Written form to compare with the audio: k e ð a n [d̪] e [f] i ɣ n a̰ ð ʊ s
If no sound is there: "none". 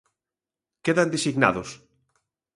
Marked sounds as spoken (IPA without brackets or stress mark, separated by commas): d̪, s